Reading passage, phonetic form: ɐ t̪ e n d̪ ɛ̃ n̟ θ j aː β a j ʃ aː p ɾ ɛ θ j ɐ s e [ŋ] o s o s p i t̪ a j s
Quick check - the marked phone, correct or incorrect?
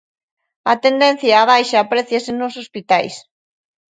incorrect